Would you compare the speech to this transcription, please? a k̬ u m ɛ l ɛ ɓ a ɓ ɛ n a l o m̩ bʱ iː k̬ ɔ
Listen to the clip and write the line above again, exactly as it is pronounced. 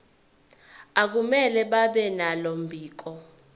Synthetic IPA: a k̬ u m ɛ l ɛ ɓ a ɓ ɛ n a l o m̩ bʱ iː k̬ ɔ